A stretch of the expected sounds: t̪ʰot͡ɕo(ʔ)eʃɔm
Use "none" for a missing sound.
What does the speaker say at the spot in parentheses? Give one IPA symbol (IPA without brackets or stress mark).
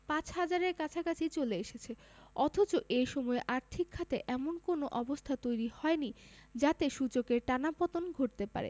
ʔ